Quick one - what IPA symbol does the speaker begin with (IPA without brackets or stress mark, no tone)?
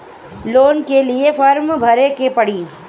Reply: l